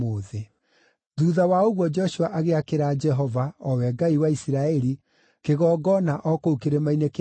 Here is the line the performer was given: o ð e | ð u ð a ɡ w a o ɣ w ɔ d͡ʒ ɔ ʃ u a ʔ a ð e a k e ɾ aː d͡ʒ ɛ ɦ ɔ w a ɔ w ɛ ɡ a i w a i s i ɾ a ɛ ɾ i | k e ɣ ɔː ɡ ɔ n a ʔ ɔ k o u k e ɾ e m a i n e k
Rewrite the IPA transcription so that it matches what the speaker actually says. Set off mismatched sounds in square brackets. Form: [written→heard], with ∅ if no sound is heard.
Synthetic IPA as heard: o ð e | ð u ð a [ɡ→∅] w a o ɣ w ɔ d͡ʒ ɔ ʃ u a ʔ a [ð→ɣ] e a k e ɾ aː d͡ʒ ɛ ɦ ɔ [w→v] a ɔ w ɛ ɡ a i w a i s i ɾ a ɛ ɾ i | k e ɣ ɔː ɡ ɔ n a ʔ ɔ k o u k e ɾ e m a i n e k